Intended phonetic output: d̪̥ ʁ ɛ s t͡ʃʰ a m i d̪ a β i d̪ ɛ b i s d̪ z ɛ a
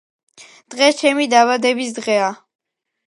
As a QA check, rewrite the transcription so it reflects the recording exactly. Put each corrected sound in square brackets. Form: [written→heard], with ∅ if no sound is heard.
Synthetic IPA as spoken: d̪̥ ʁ ɛ s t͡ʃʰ [a→ɛ] m i d̪ a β [i→a] d̪ ɛ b i s d̪ [z→ʁ] ɛ a